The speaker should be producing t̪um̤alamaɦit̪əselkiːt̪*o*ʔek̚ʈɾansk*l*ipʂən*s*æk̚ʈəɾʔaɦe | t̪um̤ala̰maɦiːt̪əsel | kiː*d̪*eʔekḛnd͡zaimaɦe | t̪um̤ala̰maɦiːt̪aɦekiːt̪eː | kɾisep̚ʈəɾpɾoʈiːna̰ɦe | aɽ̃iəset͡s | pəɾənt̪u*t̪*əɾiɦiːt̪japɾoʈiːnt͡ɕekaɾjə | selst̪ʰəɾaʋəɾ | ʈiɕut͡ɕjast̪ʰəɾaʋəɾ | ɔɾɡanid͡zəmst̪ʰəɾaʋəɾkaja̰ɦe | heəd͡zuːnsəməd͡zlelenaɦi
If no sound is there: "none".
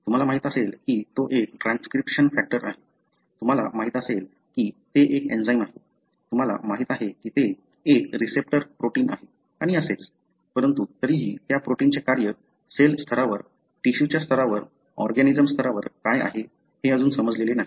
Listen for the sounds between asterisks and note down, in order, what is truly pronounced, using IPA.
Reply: o, ɾ, f, t̪, t̪

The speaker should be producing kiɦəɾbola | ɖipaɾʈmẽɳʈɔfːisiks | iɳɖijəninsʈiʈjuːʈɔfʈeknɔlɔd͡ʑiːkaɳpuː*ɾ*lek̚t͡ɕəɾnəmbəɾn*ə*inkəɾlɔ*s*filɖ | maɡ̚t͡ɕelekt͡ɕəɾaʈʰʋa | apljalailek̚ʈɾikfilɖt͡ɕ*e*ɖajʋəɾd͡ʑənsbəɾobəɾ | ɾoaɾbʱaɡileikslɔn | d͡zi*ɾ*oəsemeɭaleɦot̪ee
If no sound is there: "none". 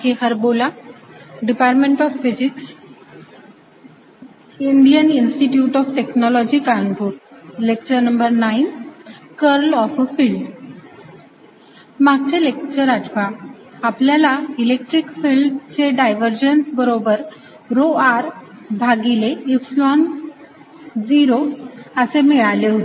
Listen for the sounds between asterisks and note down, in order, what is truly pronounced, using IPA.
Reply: ɾ, a, f, e, ɾ

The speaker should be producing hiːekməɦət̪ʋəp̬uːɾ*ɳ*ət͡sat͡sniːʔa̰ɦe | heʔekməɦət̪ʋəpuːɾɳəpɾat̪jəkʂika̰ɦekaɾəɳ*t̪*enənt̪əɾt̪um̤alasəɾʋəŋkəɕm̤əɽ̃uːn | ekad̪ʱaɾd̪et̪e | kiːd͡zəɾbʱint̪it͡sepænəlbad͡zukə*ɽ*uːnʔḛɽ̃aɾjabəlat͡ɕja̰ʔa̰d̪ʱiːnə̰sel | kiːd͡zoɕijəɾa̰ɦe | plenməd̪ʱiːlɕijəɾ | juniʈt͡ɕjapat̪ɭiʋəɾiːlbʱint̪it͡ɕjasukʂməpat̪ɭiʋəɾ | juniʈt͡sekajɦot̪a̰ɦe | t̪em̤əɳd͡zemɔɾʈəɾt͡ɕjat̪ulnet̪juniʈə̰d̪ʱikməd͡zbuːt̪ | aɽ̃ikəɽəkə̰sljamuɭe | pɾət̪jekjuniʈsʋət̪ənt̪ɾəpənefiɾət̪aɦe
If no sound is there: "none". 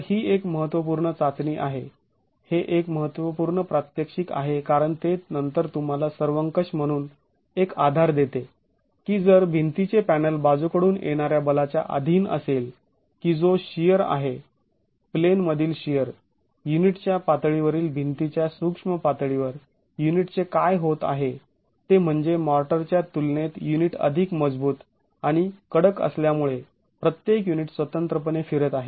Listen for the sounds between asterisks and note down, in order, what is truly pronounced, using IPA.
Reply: ɳ, t̪, ɽ

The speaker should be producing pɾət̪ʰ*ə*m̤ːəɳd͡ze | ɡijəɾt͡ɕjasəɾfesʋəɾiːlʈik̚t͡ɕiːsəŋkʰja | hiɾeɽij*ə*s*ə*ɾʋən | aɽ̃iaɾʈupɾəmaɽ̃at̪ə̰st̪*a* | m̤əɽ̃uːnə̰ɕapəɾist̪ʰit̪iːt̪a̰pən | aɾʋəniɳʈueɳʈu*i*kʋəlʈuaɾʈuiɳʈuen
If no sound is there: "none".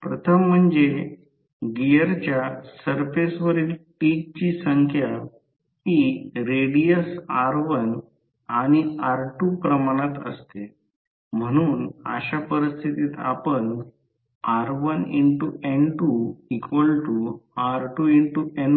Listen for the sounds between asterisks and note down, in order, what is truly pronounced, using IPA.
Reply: ə, ə, a, e, i

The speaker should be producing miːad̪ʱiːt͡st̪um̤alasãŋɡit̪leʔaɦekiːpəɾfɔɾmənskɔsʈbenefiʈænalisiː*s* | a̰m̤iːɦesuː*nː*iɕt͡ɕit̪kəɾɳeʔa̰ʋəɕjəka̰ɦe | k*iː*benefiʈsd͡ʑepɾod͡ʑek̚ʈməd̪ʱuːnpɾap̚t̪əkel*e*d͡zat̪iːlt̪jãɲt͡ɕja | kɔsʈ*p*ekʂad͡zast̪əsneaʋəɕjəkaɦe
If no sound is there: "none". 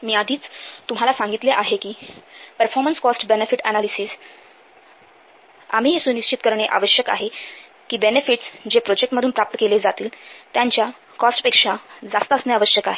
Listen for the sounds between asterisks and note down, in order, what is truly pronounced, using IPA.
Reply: s, n, iː, e, p

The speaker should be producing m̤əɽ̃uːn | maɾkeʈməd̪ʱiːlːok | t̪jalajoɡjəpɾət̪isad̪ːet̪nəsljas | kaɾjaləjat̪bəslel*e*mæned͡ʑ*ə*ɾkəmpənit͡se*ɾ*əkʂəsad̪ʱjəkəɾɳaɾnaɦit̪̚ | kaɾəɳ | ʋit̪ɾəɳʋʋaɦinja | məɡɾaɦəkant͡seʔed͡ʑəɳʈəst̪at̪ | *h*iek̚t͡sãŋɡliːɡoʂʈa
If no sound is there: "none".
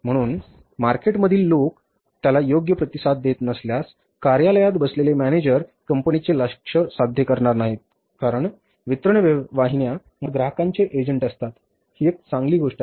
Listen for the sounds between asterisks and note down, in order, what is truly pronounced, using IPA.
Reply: e, ə, l, h

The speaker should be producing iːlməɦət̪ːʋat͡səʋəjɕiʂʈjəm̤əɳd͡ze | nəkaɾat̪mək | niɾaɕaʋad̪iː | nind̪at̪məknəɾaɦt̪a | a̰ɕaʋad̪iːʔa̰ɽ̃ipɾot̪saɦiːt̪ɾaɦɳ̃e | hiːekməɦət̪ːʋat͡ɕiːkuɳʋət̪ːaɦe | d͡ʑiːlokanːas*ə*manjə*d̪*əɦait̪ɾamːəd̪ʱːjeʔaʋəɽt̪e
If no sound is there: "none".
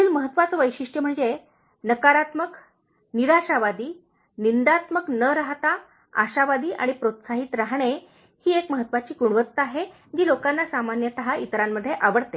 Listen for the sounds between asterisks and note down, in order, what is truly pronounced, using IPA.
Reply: a, t̪

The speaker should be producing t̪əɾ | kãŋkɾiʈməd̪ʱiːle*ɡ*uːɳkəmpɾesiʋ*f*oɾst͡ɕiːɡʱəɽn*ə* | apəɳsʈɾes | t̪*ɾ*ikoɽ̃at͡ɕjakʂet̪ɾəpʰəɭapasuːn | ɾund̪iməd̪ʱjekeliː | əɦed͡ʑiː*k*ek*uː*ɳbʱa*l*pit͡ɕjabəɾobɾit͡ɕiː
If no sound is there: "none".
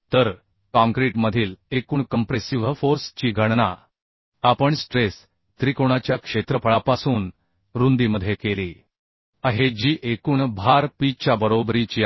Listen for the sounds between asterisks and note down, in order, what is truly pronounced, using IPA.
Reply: k, f, a, ɾ, ʔ, uː, ɾ

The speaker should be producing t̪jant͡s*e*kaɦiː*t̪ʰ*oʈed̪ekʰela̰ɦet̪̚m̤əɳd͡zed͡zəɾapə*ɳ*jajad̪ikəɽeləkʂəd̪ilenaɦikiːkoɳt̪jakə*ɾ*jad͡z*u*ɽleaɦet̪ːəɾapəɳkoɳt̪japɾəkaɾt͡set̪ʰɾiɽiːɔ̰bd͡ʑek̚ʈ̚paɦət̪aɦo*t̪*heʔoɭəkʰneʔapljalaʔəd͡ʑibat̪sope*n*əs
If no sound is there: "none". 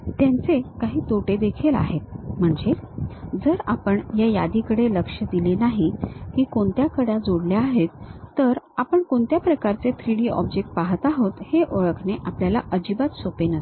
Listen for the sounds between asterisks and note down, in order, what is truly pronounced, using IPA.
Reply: e, t̪, ɳ, ɽ, o, t̪, n

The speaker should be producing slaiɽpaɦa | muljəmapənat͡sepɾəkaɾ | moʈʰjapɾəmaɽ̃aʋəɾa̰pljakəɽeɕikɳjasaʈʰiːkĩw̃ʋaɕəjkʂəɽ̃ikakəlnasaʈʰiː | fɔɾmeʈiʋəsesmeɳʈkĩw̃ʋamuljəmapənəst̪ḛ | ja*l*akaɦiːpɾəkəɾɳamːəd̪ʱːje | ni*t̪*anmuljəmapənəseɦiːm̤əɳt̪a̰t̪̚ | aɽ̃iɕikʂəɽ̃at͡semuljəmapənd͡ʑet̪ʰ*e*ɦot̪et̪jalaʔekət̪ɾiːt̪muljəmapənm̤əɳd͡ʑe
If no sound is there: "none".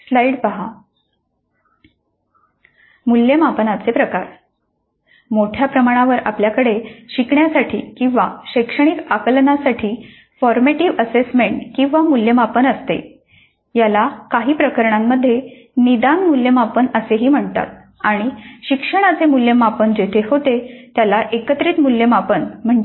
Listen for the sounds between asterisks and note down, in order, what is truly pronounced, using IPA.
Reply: l, d̪, e

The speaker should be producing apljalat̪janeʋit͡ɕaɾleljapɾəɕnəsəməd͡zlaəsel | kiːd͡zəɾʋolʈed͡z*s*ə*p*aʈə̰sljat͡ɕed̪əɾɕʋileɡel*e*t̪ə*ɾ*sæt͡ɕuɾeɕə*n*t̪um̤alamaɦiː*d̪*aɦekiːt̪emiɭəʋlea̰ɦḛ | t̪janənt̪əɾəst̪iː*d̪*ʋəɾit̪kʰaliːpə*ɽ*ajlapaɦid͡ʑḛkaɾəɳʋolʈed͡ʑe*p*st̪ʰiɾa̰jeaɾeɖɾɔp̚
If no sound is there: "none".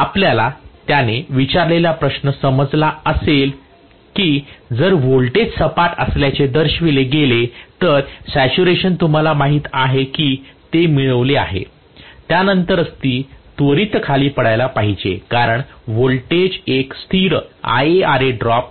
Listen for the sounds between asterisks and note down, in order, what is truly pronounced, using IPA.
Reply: s, p, e, ɾ, n, t̪, t̪, ɽ, k

